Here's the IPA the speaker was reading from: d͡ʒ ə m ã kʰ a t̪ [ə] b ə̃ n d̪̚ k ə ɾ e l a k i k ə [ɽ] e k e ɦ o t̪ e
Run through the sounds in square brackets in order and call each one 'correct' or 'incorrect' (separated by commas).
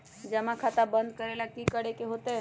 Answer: incorrect, correct